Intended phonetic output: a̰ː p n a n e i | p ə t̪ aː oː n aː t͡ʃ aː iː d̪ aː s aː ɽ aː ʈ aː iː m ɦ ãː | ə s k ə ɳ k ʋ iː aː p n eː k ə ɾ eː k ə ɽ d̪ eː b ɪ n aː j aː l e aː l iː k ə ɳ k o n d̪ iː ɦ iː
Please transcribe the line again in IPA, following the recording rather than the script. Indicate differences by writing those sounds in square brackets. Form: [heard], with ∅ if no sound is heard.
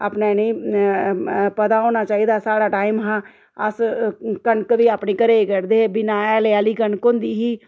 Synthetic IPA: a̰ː p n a n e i | p ə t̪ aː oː n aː t͡ʃ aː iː d̪ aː s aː ɽ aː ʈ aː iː m ɦ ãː | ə s k ə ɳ k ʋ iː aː p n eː k ə ɾ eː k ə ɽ d̪ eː b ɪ n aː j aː l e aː l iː k ə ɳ k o n d̪ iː ɦ iː